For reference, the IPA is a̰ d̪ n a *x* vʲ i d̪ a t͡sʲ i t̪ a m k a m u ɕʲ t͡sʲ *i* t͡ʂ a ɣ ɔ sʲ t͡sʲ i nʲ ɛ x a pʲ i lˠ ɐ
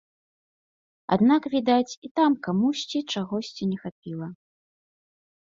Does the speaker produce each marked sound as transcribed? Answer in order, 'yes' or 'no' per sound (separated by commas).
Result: no, yes